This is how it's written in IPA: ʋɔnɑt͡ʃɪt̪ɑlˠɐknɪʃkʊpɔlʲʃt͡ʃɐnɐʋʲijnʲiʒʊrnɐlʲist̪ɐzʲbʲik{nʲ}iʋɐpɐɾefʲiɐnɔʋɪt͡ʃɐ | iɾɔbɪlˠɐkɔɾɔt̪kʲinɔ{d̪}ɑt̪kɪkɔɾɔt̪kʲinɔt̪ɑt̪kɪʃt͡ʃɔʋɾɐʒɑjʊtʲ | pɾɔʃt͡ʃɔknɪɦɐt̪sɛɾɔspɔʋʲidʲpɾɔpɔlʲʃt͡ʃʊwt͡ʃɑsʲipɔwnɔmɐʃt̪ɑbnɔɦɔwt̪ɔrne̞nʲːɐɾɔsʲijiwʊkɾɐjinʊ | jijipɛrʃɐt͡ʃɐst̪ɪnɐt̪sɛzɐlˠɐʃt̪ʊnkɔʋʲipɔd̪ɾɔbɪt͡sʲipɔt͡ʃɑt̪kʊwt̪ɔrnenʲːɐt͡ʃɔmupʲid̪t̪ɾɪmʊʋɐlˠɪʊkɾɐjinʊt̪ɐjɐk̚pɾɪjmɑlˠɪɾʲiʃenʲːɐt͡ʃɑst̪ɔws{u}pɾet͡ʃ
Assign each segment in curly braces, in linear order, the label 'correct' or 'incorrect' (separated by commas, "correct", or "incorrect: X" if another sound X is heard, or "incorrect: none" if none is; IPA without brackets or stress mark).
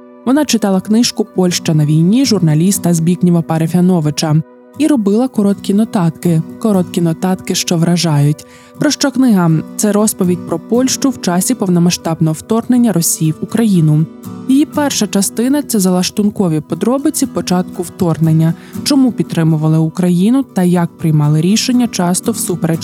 correct, incorrect: t̪, correct